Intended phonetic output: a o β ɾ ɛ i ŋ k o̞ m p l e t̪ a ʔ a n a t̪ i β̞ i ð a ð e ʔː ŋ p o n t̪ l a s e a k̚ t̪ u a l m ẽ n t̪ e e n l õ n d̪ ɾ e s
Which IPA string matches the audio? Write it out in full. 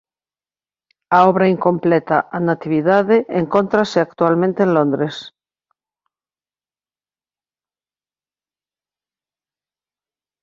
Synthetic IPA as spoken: a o β ɾ a i ŋ k o̞ m p l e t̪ a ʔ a n a t̪ i β̞ i ð a ð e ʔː ŋ k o n t̪ ɾ a s e a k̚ t̪ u a l m ẽ n t̪ e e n l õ n d̪ ɾ e s